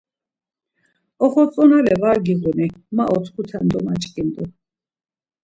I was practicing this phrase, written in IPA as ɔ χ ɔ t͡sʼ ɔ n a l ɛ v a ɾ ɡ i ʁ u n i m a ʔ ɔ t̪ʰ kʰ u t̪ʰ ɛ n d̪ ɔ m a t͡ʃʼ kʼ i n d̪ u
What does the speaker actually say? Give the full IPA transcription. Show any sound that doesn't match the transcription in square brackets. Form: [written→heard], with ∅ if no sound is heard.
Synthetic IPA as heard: ɔ χ ɔ t͡sʼ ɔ n a l ɛ v a ɾ ɡ i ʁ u n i m a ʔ ɔ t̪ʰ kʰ u t̪ʰ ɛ n d̪ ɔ m a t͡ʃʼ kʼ i n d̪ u